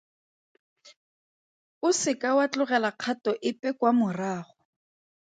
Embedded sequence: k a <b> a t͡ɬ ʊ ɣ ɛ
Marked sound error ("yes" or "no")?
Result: yes